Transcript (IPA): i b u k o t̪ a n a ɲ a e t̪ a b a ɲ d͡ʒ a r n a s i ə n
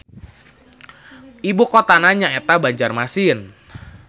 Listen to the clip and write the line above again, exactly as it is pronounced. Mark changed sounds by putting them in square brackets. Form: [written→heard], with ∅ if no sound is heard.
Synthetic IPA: i b u k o t̪ a n a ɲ a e t̪ a b a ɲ d͡ʒ a r [n→m] a s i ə n